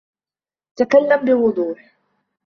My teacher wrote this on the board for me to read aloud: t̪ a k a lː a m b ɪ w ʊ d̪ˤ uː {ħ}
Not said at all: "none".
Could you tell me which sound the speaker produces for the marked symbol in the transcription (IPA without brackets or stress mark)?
ħ